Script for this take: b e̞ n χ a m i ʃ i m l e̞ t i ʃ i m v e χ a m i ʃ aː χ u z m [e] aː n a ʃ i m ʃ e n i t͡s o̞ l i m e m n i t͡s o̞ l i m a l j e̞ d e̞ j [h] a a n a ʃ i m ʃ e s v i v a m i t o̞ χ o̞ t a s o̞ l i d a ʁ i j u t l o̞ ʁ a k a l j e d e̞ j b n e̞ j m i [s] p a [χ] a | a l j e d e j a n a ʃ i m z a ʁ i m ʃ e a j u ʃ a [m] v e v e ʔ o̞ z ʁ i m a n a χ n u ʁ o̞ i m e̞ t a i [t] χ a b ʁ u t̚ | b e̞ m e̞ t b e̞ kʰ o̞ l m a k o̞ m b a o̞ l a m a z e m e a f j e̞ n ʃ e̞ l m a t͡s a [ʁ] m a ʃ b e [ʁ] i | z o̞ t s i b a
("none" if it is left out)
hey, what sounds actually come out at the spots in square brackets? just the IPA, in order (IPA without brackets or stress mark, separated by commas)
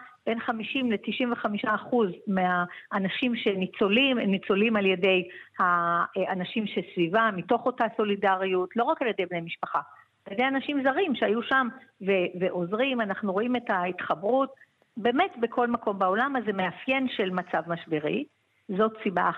e, h, ʃ, χ, m, t, v, ʁ